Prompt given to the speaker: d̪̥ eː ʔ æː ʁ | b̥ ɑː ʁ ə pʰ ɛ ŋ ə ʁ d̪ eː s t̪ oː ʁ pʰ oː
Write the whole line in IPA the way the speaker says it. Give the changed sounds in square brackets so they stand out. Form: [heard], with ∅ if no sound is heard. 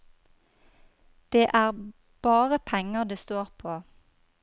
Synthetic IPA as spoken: d̪̥ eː ʔ æː ʁ | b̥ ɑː ʁ ə pʰ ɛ ŋ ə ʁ d̪ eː s t̪ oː ʁ pʰ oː